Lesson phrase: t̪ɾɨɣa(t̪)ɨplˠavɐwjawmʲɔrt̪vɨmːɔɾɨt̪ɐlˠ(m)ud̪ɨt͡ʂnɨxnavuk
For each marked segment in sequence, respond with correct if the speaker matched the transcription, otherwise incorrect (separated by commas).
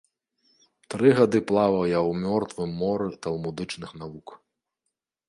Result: incorrect, correct